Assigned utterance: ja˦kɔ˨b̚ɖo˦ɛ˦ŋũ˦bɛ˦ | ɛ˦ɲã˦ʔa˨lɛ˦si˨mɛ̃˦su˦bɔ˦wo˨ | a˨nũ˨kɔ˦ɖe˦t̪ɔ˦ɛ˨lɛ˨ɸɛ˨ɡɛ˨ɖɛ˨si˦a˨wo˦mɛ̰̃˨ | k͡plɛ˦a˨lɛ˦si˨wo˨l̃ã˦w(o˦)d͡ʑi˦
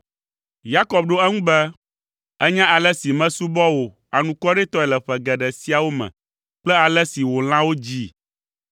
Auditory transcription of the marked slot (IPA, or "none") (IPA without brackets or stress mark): o˦